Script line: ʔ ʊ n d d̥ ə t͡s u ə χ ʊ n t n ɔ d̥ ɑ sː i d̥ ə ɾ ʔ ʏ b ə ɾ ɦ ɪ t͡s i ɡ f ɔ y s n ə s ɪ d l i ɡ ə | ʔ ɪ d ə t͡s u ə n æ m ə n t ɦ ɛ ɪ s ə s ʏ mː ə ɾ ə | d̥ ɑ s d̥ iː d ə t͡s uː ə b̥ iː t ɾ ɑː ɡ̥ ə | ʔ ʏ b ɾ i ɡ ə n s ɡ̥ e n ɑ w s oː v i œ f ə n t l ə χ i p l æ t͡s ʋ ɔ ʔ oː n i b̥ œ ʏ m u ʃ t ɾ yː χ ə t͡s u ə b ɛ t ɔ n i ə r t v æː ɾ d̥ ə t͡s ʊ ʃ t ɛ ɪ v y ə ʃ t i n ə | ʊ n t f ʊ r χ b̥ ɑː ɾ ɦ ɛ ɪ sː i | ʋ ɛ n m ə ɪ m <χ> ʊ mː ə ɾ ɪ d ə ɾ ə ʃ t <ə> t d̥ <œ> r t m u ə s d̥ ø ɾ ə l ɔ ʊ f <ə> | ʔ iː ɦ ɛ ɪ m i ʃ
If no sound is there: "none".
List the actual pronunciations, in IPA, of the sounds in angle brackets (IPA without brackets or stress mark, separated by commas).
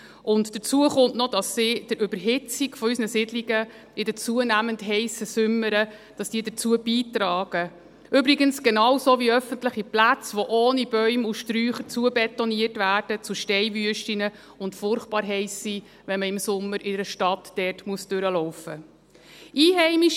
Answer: s, ɑ, ɛ, ə